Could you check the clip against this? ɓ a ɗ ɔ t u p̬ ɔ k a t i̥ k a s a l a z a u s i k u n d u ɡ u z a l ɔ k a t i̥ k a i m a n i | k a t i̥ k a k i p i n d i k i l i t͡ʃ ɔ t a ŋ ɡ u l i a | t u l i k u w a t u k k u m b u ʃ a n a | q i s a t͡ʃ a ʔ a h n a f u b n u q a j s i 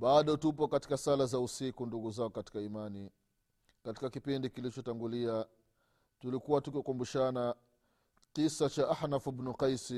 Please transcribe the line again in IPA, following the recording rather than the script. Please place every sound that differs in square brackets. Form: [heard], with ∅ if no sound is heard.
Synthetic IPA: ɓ a ɗ ɔ t u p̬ ɔ k a t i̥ k a s a l a z a u s i k u n d u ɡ u z a [∅] ɔ k a t i̥ k a i m a n i | k a t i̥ k a k i p i n d i k i l i t͡ʃ ɔ t a ŋ ɡ u l i a | t u l i k u w a t u k k u m b u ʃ a n a | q i s a t͡ʃ a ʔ a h n a f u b n u q a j s i